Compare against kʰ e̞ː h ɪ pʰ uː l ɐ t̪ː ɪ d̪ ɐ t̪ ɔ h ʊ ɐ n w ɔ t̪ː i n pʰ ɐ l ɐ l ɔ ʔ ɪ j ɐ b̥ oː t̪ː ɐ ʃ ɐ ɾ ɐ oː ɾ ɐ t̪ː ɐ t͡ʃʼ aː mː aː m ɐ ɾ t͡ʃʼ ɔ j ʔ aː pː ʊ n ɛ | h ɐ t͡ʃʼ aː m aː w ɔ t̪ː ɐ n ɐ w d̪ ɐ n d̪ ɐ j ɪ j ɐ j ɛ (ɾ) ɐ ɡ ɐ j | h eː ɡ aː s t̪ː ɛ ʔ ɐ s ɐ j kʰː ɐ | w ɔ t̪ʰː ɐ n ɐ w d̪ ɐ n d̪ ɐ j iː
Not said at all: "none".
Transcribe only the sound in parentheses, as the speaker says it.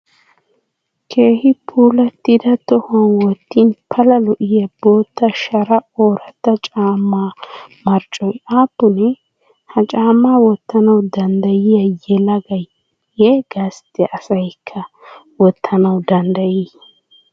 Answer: l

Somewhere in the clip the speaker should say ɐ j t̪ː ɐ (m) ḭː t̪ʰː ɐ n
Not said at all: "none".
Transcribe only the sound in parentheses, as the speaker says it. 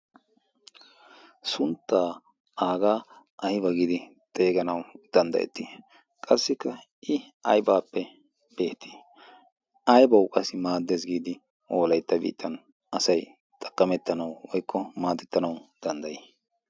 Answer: b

